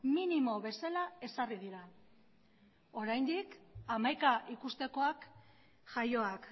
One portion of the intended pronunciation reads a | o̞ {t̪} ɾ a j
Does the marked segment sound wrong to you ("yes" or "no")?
yes